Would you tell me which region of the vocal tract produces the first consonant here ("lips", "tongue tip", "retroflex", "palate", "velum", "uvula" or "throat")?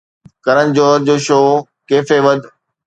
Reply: velum